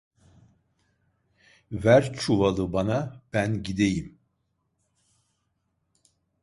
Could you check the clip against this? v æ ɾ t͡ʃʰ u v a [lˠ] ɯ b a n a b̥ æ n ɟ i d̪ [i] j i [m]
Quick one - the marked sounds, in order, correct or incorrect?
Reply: correct, incorrect: e, correct

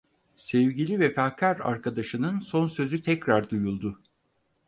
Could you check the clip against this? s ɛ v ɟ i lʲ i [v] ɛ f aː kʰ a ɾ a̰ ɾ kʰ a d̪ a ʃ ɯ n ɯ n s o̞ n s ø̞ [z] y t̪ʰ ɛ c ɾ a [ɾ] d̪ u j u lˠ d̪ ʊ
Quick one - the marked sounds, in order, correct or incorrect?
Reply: correct, correct, correct

